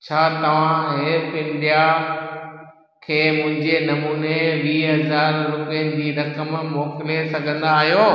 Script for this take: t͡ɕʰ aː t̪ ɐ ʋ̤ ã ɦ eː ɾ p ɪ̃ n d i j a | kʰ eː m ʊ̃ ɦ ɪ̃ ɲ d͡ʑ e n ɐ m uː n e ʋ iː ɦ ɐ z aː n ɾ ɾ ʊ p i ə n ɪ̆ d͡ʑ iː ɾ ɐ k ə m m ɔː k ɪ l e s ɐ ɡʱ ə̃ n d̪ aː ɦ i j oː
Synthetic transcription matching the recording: t͡ɕʰ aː t̪ ɐ ʋ̤ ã ɦ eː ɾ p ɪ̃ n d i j a | kʰ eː m ʊ̃ ɦ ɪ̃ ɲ d͡ʑ e n ɐ m uː n e ʋ iː ɦ ɐ z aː ɾ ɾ ʊ p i ə n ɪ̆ d͡ʑ iː ɾ ɐ k ə m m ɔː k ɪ l e s ɐ ɡʱ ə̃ n d̪ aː ɦ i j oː